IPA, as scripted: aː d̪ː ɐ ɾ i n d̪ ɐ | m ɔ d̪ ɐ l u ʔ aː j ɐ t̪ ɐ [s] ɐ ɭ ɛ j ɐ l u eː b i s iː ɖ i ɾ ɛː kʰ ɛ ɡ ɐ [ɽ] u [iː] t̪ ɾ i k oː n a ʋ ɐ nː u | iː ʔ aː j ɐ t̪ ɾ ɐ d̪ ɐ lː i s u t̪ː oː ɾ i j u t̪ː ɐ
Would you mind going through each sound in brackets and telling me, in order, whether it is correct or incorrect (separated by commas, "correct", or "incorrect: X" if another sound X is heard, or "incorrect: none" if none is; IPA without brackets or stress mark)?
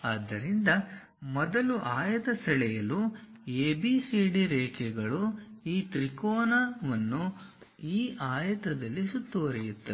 correct, incorrect: ɭ, correct